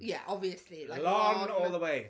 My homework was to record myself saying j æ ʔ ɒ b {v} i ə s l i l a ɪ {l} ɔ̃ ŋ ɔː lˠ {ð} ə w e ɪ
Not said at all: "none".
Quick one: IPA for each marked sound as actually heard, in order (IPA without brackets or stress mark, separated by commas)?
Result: v, l, ð